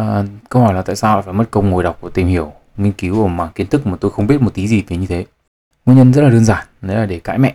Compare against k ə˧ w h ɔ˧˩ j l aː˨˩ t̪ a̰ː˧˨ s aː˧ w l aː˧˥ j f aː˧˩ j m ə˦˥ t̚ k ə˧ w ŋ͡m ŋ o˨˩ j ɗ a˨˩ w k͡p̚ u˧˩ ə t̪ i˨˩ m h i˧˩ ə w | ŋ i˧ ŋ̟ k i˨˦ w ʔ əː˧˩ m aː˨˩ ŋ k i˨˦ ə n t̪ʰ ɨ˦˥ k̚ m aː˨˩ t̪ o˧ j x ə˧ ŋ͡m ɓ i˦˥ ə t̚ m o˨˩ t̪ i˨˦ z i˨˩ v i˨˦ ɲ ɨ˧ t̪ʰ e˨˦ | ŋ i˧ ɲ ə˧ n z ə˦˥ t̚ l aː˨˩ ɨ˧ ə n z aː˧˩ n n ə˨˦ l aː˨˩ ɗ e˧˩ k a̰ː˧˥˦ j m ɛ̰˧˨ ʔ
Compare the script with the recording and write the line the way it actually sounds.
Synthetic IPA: k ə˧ w h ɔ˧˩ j l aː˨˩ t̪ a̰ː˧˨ s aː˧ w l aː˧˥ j f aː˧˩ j m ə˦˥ t̚ k ə˧ w ŋ͡m ŋ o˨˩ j ɗ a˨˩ w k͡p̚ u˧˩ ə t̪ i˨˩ m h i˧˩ ə w | ŋ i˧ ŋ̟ k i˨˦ w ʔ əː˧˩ m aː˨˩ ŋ k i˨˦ ə n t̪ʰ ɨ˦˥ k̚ m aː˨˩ t̪ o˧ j x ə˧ ŋ͡m ɓ i˦˥ ə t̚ m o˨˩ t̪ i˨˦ z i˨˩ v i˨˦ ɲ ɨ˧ t̪ʰ e˨˦ | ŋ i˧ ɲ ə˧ n z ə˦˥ t̚ l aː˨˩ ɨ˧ ə n z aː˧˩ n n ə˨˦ l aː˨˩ ɗ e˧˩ k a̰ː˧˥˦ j m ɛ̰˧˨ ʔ